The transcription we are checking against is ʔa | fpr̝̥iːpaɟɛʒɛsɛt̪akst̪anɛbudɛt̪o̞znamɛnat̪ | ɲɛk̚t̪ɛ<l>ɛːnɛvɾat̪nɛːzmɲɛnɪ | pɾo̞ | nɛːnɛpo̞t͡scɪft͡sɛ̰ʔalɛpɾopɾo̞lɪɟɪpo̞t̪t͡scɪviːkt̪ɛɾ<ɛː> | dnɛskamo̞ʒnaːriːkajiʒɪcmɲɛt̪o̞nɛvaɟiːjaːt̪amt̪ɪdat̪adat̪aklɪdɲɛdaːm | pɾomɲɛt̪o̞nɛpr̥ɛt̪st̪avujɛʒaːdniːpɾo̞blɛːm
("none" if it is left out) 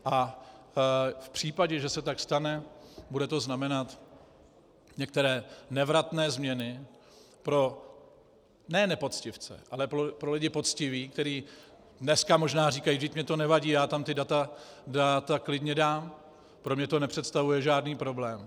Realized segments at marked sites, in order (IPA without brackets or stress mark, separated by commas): ɾ, iː